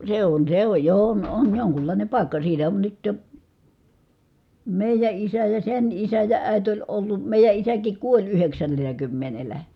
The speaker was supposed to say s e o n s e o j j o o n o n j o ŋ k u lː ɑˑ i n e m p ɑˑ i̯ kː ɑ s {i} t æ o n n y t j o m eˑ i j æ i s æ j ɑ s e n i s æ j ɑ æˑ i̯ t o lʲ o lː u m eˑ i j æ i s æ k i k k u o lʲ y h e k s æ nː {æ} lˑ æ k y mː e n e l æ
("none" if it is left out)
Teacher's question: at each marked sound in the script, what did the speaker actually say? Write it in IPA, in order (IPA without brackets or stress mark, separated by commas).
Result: iː, e